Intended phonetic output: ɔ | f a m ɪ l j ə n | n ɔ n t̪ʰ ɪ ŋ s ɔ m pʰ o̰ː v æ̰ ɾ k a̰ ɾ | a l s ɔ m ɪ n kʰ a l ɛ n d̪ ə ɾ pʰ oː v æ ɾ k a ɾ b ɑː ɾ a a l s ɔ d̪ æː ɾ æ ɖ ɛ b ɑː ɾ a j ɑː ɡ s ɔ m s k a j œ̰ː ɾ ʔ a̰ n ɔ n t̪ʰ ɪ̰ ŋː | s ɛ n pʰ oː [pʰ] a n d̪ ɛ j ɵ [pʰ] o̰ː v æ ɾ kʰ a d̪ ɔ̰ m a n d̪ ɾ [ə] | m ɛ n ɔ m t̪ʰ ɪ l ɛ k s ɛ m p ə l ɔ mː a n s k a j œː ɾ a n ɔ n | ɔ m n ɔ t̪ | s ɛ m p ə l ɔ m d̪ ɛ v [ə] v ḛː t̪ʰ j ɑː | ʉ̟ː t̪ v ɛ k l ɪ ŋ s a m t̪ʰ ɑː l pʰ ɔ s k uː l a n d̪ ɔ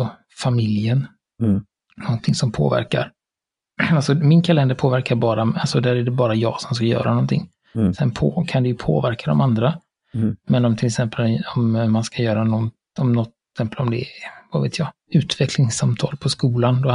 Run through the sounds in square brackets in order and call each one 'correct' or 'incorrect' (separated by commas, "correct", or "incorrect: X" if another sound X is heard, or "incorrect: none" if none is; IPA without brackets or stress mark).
incorrect: kʰ, correct, incorrect: a, incorrect: a